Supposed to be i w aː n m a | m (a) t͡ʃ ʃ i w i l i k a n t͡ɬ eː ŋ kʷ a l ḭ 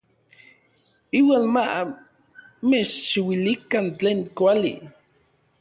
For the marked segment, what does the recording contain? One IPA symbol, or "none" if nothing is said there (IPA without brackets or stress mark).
e